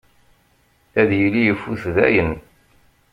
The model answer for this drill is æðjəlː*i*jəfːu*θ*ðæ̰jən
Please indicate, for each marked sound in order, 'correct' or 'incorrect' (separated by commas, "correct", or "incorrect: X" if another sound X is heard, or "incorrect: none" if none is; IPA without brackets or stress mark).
correct, correct